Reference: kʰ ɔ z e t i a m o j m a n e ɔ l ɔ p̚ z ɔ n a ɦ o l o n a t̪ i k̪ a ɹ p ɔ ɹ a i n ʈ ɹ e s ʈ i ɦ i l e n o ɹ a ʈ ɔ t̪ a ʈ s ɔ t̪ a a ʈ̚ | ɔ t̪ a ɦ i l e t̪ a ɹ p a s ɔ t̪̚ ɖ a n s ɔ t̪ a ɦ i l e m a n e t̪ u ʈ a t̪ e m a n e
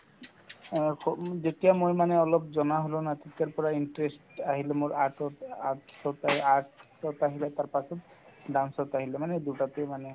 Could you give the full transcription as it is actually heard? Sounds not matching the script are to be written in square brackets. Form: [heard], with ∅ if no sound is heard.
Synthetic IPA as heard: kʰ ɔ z e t i a m o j m a n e ɔ l ɔ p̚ z ɔ n a ɦ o l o n a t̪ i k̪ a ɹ p ɔ ɹ a i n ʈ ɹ e s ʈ [a] ɦ i l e [m] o ɹ a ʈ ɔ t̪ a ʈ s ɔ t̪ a a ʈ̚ | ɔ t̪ a ɦ i l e t̪ a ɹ p a s ɔ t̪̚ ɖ a n s ɔ t̪ a ɦ i l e m a n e [d̪] u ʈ a t̪ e m a n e